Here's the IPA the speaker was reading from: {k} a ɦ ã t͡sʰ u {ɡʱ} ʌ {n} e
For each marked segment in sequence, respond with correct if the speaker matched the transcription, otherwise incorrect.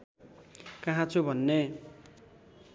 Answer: correct, incorrect: bʱ, incorrect: nː

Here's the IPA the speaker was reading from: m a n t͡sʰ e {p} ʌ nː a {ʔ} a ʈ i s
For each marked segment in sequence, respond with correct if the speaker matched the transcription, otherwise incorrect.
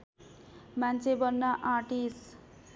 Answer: incorrect: b, correct

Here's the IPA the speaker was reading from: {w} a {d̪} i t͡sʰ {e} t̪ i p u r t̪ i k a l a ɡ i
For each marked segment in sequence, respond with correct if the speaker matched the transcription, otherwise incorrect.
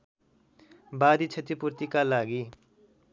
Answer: incorrect: b, correct, correct

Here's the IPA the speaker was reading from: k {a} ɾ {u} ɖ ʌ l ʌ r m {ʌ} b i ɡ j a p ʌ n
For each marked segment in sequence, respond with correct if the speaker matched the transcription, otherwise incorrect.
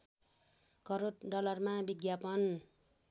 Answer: incorrect: ʌ, incorrect: o, incorrect: a

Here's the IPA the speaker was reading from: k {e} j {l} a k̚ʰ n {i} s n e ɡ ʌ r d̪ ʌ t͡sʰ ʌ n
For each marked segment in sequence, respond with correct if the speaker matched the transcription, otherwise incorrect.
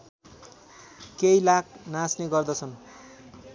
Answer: correct, correct, incorrect: a

